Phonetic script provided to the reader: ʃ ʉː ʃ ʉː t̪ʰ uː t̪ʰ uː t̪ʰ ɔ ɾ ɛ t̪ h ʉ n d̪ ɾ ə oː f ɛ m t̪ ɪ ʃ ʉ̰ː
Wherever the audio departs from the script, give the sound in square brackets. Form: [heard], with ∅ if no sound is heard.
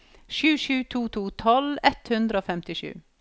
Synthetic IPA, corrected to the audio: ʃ ʉː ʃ ʉː t̪ʰ uː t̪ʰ uː t̪ʰ ɔ [l] ɛ t̪ h ʉ n d̪ ɾ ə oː f ɛ m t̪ ɪ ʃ ʉ̰ː